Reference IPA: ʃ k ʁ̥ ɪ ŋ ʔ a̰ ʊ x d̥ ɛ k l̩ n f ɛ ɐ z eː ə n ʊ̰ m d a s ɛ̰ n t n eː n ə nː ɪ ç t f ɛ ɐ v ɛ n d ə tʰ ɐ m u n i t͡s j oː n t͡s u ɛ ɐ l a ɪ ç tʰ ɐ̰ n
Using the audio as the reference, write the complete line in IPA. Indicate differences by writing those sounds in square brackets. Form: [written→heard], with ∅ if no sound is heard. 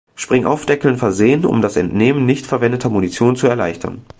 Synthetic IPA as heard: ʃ [k→p] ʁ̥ ɪ ŋ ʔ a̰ ʊ [x→f] d̥ ɛ k l̩ n f ɛ ɐ z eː ə n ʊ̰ m d a s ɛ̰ n t n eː [n→m] ə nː ɪ ç t f ɛ ɐ v ɛ n d ə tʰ ɐ m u n i t͡s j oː n t͡s u ɛ ɐ l a ɪ ç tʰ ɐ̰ n